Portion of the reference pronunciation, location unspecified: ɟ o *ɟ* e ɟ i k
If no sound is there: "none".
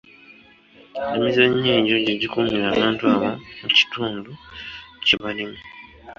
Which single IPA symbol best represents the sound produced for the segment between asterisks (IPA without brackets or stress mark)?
ɟ